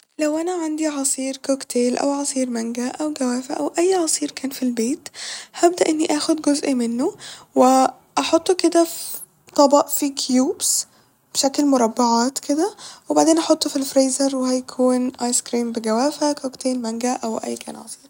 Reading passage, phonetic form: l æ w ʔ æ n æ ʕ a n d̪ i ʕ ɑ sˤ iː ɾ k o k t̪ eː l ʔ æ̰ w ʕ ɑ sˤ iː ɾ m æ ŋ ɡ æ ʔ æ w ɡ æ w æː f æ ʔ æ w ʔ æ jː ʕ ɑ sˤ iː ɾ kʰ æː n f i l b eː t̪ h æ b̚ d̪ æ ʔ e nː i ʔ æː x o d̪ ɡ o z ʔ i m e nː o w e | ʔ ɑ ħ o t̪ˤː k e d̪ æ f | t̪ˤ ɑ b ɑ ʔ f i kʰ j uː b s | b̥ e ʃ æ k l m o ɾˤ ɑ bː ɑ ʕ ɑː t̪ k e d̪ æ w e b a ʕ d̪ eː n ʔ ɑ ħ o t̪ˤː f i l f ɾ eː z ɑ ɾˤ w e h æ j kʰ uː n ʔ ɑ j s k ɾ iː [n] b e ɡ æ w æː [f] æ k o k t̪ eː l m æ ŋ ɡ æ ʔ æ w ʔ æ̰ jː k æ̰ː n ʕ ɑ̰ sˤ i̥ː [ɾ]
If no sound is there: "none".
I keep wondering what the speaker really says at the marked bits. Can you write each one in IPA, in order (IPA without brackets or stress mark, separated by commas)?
m, f, ɾ